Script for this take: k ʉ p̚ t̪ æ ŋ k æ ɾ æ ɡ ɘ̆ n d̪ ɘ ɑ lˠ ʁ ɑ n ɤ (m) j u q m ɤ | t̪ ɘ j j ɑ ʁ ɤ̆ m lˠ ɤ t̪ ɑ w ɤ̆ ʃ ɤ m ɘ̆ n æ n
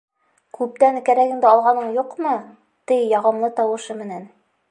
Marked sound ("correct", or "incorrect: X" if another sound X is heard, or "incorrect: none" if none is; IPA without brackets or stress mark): incorrect: ɴ